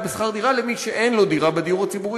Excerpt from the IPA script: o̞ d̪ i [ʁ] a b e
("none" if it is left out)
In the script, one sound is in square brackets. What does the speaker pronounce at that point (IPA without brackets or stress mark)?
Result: ʁ